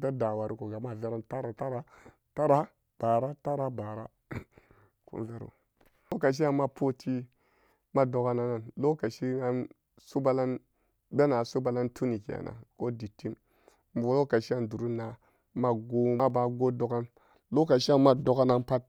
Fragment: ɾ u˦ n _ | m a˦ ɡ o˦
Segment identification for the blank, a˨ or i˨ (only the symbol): a˨